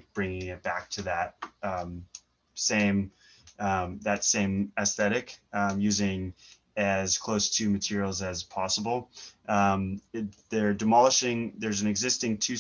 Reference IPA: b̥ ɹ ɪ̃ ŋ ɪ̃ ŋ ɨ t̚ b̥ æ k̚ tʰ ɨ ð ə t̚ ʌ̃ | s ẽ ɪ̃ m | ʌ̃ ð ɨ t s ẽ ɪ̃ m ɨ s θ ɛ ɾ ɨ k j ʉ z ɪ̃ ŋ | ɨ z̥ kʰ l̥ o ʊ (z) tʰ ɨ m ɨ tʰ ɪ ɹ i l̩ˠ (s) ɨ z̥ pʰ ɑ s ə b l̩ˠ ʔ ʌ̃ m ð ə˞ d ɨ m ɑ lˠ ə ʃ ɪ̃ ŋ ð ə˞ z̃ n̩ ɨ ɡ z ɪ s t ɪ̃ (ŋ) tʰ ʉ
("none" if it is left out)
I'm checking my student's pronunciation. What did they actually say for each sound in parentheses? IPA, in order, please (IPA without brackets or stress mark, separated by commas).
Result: s, z, ŋ